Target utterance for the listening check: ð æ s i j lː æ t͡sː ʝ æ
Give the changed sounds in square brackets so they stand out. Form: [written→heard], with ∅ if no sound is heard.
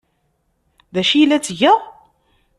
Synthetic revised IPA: ð æ [s→ʃ] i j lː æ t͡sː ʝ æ